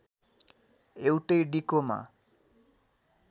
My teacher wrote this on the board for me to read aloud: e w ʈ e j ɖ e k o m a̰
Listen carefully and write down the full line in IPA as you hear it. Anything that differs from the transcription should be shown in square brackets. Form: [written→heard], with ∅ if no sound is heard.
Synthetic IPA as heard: e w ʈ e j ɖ [e→i] k o m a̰